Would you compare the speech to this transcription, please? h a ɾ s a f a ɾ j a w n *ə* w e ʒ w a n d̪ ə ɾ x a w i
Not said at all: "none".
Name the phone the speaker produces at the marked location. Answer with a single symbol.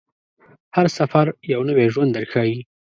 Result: ə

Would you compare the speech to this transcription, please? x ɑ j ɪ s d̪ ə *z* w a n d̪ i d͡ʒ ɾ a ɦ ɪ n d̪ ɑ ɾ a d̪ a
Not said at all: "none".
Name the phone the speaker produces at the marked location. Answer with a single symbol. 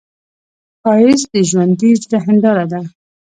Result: ʒ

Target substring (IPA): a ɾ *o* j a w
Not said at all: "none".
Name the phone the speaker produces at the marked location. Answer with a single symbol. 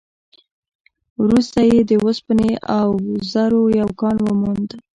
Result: o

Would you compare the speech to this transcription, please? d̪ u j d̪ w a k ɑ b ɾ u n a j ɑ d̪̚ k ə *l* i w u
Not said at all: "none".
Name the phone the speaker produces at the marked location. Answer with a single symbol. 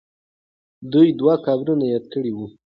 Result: ɽ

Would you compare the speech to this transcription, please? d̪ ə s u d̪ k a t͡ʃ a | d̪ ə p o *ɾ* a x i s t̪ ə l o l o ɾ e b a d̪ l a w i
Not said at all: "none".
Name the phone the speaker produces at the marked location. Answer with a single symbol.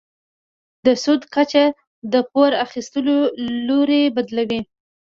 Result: ɾ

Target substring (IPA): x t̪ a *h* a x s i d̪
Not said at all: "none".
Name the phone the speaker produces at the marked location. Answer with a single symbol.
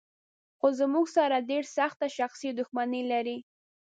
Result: ʃ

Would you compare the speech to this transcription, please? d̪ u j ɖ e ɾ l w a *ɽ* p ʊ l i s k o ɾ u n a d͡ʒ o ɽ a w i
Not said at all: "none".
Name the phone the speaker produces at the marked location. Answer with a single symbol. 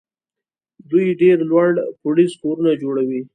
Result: ɽ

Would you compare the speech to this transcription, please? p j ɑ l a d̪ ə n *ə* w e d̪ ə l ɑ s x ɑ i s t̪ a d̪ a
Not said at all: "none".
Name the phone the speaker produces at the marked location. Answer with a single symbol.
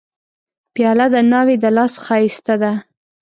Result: ɑ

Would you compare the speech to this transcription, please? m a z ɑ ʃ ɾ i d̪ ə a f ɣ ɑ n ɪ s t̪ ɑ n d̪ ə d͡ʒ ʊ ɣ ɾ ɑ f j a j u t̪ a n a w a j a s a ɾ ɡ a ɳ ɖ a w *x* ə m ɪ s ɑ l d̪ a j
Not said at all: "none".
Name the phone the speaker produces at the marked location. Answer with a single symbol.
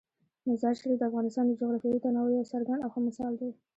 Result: x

